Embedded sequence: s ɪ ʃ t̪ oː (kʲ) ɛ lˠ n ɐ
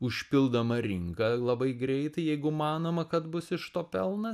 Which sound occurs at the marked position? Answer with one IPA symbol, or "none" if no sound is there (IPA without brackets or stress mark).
pʲ